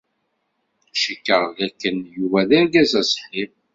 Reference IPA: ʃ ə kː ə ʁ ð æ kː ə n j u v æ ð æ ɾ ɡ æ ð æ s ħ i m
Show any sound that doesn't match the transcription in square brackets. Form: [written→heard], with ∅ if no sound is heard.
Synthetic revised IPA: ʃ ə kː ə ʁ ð æ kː ə n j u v æ ð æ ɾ ɡ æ [ð→z] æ s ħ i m